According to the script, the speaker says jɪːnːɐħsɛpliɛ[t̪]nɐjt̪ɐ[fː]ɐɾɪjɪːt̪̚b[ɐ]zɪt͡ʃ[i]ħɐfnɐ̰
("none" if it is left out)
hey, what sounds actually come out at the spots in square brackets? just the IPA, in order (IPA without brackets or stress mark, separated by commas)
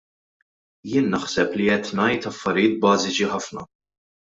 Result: t̪, fː, ɐː, i